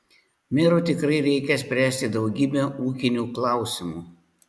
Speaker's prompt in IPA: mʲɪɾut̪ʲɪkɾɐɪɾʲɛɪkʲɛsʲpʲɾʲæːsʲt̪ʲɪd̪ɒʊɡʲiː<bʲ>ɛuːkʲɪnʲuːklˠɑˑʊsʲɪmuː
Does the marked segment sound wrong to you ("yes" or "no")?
no